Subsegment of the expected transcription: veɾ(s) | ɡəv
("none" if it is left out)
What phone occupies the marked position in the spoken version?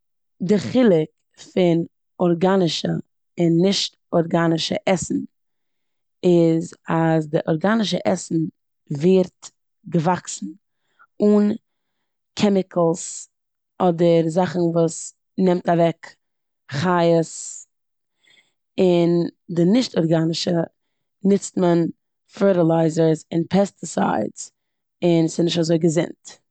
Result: t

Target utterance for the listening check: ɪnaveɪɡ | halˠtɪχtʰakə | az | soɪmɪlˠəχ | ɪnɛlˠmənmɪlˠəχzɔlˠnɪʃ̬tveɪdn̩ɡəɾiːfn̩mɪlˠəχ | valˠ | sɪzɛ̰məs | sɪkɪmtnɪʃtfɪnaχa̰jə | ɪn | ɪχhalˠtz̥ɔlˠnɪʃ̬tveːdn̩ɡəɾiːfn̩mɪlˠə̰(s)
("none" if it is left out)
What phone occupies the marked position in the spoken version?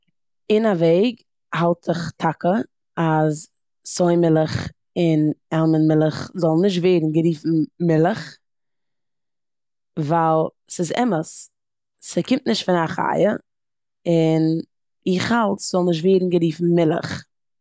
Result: χ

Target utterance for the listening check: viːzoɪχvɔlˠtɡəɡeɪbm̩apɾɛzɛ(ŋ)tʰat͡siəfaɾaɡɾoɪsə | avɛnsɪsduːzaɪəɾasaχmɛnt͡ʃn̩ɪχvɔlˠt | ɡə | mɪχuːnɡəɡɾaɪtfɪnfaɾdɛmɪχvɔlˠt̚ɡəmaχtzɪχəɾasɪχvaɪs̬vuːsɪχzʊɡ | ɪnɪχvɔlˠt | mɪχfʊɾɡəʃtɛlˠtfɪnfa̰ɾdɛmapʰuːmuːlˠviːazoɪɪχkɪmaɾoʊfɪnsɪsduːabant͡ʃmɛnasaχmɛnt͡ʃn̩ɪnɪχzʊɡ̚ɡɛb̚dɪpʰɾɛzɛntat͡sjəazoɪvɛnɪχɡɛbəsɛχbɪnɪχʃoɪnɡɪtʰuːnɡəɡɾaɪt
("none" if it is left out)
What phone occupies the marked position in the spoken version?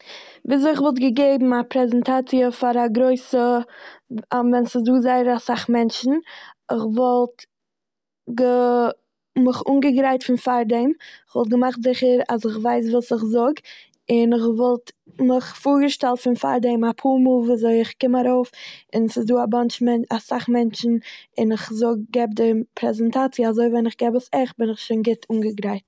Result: n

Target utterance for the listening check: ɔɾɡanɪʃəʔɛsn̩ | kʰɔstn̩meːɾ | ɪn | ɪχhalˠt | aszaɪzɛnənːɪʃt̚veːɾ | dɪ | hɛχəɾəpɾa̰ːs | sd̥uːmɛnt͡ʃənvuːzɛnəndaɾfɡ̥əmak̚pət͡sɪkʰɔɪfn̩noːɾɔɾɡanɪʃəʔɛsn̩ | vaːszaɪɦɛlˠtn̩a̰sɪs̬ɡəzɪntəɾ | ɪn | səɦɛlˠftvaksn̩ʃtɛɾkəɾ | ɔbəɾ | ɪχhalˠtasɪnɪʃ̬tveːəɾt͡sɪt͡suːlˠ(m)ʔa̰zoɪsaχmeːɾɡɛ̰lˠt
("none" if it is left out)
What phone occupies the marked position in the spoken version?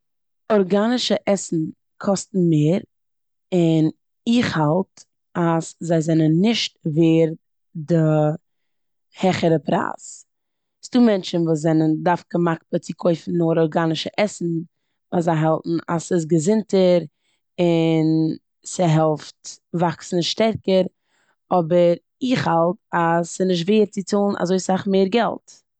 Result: n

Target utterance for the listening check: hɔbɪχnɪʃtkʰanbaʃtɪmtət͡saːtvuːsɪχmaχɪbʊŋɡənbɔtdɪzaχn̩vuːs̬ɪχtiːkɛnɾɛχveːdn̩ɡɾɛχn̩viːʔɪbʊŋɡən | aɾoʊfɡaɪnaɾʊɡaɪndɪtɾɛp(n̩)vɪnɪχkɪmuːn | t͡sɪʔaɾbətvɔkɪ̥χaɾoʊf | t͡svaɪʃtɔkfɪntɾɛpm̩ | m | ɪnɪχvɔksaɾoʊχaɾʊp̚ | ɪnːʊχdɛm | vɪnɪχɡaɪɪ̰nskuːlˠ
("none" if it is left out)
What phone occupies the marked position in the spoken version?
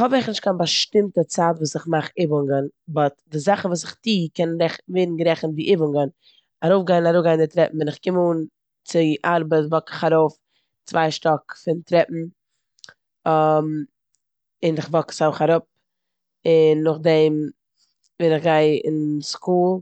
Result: m̩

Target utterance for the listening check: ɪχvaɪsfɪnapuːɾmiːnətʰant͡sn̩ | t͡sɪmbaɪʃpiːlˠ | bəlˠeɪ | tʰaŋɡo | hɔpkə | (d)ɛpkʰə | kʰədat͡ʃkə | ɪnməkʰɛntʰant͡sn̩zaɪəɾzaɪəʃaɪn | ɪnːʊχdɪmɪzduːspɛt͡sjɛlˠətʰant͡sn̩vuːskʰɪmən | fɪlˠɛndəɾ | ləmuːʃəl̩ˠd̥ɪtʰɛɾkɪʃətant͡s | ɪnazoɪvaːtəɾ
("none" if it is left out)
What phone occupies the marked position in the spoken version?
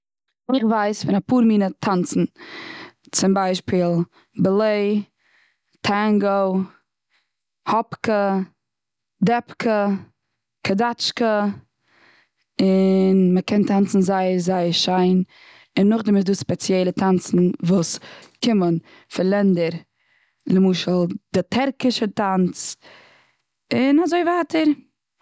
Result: d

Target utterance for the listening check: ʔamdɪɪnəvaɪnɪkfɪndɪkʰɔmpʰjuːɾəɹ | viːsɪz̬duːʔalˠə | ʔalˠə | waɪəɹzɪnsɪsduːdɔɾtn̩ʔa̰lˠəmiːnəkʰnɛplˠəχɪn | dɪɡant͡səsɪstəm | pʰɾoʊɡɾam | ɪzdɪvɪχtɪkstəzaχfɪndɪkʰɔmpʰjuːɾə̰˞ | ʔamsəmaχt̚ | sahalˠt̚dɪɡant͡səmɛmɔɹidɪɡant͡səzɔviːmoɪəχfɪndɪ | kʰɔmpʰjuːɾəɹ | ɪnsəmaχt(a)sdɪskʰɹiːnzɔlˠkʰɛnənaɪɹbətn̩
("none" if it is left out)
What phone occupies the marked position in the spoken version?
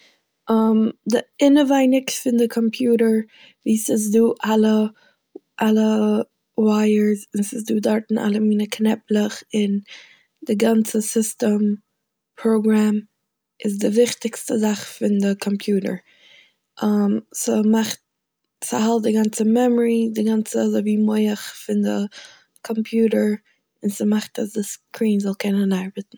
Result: a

